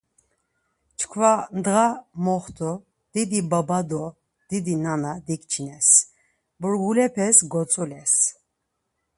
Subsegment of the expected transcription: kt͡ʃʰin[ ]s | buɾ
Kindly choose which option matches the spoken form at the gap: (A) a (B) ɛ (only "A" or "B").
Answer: B